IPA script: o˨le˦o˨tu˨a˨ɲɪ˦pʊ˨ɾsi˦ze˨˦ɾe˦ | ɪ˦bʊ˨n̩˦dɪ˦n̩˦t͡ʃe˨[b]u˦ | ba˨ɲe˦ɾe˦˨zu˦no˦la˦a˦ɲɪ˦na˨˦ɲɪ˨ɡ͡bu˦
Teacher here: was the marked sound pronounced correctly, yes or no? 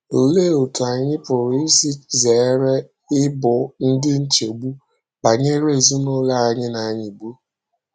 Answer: no